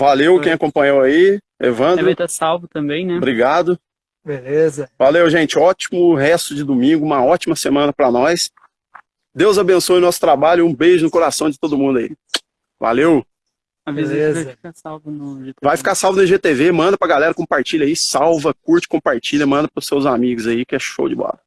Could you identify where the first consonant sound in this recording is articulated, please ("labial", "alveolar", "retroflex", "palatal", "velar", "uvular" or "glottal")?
labial